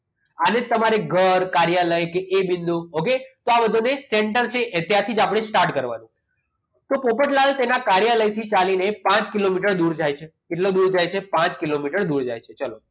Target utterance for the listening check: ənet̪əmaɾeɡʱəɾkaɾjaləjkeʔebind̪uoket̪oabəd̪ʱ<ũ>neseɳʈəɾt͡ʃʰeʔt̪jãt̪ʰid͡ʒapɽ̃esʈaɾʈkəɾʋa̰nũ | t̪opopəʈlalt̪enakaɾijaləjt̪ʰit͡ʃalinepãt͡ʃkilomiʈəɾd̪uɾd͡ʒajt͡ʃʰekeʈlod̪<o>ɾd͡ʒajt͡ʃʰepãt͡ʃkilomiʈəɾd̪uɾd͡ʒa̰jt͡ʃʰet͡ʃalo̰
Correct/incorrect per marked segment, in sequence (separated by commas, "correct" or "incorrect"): incorrect, incorrect